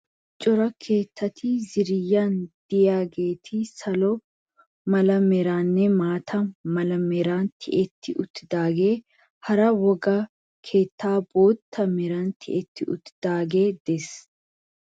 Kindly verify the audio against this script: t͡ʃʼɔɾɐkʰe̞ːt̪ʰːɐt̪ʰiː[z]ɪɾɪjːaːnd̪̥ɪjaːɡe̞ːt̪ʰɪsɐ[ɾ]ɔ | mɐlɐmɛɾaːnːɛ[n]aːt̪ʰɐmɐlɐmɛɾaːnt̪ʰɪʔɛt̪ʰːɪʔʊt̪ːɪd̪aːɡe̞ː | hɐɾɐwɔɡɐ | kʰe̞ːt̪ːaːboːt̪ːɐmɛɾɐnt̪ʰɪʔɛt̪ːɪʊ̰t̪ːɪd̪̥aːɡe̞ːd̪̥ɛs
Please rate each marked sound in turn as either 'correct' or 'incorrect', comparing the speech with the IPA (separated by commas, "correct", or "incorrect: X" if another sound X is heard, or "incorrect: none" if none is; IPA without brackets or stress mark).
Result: correct, incorrect: l, incorrect: m